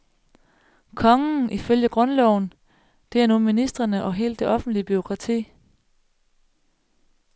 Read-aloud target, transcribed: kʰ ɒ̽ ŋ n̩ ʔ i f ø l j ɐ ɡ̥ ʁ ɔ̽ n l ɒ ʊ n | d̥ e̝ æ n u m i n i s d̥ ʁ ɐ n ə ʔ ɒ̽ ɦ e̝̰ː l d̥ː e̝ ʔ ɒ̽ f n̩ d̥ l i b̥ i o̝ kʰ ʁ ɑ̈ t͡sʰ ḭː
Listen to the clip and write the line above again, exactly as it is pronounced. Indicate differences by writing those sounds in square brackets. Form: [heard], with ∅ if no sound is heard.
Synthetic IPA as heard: kʰ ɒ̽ ŋ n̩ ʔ i f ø l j [ə] ɡ̥ ʁ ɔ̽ n l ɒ ʊ n | d̥ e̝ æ n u m i n i s d̥ ʁ ɐ n ə ʔ ɒ̽ ɦ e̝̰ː l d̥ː e̝ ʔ ɒ̽ f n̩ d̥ l i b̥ [y] o̝ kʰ ʁ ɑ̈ t͡sʰ ḭː

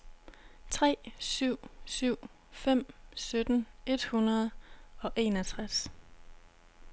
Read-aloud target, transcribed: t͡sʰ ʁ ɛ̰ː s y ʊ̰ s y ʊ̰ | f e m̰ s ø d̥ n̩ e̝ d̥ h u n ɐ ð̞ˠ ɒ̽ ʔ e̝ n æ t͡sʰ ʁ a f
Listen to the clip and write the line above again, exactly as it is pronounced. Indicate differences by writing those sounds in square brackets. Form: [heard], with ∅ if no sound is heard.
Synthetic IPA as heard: t͡sʰ ʁ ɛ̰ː s y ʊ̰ s y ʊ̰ | f e m̰ s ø d̥ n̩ e̝ d̥ h u n ɐ ð̞ˠ ɒ̽ ʔ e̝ n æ t͡sʰ ʁ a [s]

